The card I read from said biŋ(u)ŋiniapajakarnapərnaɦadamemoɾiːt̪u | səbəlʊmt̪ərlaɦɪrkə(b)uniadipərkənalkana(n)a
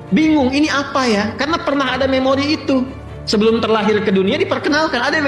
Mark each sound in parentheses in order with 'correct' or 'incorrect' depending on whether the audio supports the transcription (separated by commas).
incorrect, incorrect, incorrect